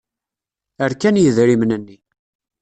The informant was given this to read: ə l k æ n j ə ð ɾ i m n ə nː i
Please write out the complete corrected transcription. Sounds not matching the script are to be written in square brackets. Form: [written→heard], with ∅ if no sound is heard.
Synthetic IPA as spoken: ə [l→ɾ] k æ n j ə ð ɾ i m n ə nː i